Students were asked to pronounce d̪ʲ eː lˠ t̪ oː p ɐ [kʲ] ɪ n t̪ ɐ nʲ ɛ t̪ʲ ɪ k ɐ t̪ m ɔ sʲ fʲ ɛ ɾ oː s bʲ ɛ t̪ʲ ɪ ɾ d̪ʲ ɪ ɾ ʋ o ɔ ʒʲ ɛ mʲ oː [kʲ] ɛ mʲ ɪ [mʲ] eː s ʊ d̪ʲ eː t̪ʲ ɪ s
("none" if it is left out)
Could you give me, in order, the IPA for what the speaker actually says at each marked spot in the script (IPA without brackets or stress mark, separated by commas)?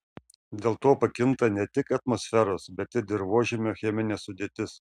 kʲ, xʲ, nʲ